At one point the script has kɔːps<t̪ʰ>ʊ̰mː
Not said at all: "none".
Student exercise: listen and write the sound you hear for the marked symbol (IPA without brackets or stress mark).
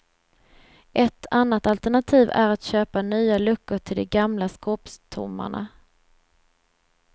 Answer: t̪ʰ